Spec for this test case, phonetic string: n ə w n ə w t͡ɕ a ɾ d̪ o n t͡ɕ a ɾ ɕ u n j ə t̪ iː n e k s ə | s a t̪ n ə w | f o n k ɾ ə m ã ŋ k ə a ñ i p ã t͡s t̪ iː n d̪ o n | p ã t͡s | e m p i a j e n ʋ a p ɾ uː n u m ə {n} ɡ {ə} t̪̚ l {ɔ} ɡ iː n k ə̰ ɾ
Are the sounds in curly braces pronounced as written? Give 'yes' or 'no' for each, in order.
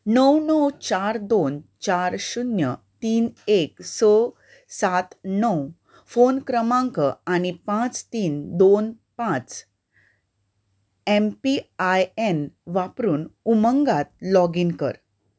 no, no, yes

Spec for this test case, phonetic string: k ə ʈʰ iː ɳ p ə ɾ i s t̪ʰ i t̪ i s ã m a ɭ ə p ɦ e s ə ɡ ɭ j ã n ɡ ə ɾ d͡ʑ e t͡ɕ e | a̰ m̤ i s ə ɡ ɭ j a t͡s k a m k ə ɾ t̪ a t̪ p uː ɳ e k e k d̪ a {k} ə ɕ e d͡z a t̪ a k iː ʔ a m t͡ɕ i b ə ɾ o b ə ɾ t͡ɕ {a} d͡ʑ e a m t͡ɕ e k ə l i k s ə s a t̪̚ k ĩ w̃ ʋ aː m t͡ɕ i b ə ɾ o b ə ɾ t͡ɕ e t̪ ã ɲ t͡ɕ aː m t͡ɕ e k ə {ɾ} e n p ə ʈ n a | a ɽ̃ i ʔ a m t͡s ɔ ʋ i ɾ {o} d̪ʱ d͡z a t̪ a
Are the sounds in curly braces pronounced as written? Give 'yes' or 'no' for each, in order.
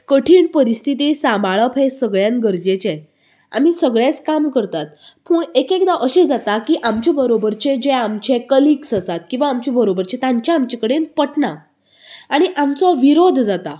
no, no, no, yes

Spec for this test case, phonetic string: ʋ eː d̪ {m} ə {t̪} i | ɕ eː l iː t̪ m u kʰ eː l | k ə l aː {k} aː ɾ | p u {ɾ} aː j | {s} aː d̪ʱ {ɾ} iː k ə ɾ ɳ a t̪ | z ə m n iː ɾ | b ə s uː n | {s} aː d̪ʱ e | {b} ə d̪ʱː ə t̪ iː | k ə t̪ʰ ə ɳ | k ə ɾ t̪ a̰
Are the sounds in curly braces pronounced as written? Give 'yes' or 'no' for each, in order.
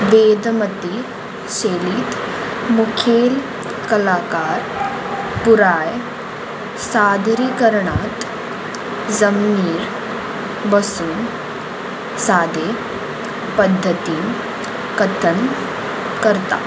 yes, yes, yes, yes, yes, yes, yes, no

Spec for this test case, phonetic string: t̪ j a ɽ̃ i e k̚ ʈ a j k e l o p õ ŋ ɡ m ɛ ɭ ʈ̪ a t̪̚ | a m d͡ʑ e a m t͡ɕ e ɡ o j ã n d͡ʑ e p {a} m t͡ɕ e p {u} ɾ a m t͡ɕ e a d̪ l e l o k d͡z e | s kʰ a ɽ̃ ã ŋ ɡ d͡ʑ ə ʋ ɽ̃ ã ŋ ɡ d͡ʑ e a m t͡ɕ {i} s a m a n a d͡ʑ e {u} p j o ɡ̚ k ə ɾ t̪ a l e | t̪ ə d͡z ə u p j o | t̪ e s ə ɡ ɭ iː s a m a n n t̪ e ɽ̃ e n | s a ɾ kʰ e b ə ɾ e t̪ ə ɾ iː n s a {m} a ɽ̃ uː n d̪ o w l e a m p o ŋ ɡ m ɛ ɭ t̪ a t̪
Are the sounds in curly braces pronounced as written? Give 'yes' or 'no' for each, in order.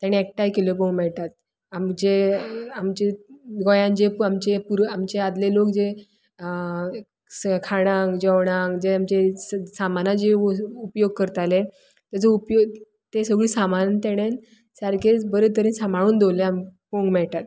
yes, yes, no, yes, yes

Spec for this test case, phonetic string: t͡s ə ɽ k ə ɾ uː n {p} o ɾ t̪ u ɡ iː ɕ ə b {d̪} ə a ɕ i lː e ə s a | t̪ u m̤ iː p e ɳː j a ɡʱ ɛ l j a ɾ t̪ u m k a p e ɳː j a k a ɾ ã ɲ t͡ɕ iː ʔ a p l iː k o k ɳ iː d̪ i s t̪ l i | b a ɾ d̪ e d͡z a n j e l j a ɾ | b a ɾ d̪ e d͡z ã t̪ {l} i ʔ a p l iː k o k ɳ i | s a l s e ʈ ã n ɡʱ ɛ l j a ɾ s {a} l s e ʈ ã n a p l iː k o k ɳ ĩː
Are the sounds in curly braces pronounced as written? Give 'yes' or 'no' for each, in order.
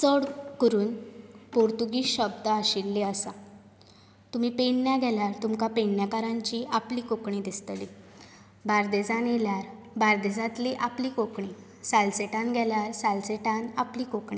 yes, yes, yes, yes

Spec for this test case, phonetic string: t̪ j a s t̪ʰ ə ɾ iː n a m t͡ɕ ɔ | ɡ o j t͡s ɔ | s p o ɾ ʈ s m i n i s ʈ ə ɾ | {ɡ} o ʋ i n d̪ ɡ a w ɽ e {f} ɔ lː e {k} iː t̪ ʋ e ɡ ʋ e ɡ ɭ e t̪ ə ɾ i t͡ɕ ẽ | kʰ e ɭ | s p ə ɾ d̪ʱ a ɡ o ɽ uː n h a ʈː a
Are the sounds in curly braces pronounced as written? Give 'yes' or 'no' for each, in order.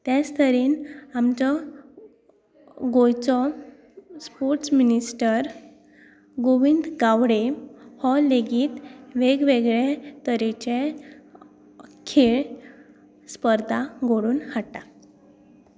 yes, no, no

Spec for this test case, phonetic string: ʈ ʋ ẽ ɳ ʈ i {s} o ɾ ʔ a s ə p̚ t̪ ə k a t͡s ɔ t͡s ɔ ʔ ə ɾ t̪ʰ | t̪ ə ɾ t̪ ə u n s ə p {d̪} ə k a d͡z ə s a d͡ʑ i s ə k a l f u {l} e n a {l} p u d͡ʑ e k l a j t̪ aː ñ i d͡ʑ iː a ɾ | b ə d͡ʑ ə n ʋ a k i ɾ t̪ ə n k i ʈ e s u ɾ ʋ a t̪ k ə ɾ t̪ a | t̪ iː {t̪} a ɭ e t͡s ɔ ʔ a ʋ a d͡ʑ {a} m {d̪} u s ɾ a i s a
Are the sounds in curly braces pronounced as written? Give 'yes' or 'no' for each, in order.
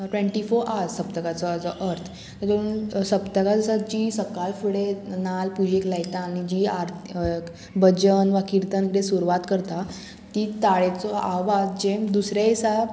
no, no, no, yes, yes, no, yes

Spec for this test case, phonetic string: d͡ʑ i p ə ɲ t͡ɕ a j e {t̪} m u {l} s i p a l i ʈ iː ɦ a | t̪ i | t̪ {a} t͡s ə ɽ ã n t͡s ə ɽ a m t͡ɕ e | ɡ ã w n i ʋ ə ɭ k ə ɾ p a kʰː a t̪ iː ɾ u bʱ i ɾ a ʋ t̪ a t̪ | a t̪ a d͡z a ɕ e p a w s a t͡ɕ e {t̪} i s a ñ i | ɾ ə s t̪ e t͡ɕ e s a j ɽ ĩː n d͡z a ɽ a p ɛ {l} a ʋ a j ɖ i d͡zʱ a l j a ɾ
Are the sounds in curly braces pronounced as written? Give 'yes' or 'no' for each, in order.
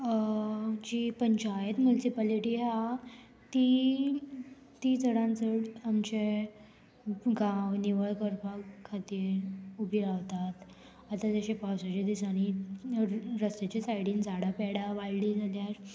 yes, yes, no, no, no

